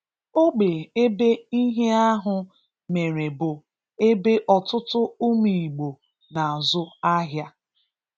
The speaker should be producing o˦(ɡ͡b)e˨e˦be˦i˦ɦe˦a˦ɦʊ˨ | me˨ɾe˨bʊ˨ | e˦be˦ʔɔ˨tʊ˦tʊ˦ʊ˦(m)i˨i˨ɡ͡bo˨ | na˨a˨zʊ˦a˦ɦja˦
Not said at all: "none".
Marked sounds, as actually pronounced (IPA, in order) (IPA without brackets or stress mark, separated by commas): ɡ͡b, m